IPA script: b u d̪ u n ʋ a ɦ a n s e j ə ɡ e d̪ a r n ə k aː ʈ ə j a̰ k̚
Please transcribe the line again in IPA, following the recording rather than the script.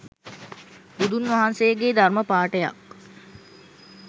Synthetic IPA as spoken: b u d̪ u n ʋ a ɦ a n s e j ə ɡ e d̪ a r m ə p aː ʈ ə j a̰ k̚